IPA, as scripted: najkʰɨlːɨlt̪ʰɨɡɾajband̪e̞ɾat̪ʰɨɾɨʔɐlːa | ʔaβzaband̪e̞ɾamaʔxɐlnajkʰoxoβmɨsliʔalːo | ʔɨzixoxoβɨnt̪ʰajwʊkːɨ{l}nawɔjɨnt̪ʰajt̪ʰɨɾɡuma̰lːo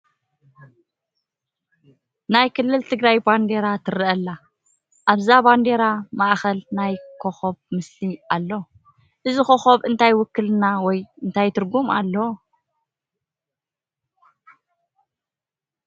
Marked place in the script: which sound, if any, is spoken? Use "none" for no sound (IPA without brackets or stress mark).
l